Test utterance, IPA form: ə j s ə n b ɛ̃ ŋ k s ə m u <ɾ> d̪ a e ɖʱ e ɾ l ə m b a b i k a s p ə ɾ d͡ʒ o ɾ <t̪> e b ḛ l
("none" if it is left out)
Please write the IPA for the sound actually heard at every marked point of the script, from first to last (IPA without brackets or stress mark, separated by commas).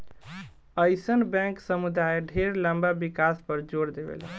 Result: none, d̪